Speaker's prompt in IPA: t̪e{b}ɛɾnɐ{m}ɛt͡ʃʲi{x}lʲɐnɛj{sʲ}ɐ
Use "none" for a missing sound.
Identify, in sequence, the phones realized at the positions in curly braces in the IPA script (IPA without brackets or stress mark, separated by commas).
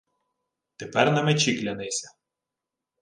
p, m, k, sʲ